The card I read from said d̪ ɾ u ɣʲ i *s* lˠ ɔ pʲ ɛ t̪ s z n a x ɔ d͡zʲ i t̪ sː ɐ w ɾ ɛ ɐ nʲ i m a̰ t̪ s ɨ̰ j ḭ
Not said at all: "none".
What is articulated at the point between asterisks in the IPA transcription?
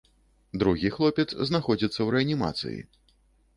x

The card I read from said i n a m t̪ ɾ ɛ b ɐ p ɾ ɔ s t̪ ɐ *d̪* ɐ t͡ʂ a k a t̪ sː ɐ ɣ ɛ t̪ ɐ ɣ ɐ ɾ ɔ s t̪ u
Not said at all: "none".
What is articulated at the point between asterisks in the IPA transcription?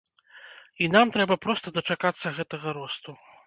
d̪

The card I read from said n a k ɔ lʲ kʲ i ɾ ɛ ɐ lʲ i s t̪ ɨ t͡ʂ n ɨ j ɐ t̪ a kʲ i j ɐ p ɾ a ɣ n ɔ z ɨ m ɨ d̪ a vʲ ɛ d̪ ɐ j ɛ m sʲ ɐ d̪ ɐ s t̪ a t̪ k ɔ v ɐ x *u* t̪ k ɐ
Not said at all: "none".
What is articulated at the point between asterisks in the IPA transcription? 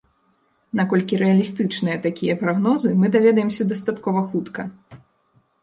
u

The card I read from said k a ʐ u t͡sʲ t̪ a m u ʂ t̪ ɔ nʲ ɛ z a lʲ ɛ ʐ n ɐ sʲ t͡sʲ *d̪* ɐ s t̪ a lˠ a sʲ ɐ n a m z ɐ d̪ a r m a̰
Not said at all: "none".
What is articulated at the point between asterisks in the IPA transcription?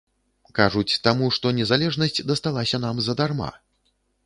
d̪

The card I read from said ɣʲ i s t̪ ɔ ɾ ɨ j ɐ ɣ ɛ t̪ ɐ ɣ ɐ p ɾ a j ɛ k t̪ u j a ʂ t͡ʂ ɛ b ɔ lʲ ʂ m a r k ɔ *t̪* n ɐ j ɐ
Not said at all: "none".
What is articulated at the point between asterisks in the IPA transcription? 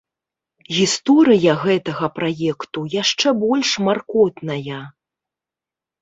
t̪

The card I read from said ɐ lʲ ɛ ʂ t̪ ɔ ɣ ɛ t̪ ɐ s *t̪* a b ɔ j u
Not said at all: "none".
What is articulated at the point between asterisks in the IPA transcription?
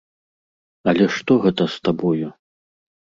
t̪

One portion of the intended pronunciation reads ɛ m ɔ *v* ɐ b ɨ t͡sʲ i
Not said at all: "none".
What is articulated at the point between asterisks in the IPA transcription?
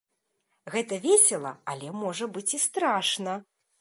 ʐ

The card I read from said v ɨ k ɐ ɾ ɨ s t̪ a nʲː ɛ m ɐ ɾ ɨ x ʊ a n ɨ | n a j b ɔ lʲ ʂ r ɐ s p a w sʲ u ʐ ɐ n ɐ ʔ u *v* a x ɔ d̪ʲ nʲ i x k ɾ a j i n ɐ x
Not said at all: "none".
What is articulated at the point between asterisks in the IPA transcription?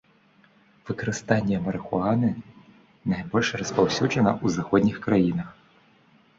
z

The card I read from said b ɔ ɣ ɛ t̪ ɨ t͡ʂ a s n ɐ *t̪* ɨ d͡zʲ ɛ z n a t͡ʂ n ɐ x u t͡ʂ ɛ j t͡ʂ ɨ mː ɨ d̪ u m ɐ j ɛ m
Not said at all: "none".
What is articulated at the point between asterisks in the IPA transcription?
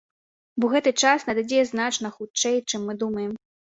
d̪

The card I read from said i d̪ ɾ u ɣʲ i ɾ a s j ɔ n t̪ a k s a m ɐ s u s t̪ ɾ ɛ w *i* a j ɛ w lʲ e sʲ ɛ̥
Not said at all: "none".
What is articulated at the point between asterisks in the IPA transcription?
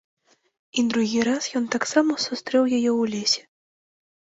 j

